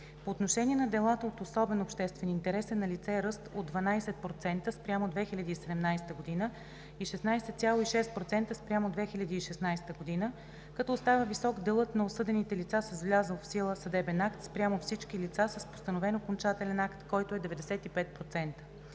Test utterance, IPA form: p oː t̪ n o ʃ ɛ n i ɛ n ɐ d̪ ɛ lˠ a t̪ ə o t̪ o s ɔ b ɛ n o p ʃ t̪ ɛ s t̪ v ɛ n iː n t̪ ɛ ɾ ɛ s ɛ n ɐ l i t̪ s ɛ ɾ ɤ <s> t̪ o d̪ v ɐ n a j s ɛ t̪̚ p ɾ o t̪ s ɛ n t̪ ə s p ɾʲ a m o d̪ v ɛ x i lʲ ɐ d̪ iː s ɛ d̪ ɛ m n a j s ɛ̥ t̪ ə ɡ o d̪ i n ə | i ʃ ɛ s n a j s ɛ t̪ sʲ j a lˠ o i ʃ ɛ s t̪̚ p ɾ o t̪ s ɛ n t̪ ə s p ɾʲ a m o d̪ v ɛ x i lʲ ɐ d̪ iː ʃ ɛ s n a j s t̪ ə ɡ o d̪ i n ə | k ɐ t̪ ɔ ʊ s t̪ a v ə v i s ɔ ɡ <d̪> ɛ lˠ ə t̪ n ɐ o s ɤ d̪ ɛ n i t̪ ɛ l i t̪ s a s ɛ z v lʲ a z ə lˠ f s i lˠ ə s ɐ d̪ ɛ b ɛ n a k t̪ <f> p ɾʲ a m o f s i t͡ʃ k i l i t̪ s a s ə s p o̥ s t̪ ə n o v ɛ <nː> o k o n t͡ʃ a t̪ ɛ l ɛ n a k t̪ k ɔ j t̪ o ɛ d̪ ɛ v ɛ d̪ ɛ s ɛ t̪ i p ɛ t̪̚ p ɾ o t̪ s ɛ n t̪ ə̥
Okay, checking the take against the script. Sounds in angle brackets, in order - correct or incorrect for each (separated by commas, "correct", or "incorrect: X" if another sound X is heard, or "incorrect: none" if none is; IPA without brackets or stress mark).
correct, correct, incorrect: s, incorrect: n